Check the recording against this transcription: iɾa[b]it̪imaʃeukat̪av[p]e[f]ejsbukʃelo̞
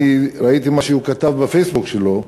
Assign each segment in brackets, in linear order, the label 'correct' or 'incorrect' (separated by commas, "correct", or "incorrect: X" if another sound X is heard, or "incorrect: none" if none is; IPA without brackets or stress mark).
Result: incorrect: none, incorrect: b, correct